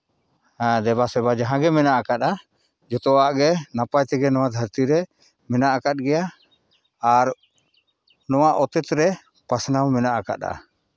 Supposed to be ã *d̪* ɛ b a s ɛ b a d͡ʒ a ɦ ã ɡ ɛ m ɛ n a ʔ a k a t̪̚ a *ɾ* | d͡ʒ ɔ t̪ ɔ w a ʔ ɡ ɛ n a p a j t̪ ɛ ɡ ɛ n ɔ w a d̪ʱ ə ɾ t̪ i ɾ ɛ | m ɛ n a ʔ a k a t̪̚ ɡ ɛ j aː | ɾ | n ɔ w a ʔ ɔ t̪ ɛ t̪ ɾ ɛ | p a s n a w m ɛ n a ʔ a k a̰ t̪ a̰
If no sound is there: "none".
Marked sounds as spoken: d̪, none

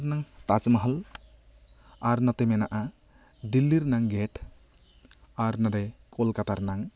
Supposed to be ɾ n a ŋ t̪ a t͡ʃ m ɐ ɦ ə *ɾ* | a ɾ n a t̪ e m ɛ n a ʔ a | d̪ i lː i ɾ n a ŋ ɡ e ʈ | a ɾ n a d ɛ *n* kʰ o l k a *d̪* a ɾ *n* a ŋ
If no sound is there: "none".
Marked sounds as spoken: l, none, t̪, n

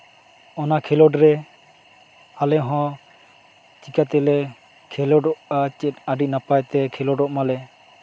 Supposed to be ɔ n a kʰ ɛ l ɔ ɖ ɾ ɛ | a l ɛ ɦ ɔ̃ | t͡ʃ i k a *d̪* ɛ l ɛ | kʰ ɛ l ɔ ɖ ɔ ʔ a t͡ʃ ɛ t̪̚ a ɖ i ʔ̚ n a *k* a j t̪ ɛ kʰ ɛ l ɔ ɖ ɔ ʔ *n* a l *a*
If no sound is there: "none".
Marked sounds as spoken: t̪, p, m, ɛ

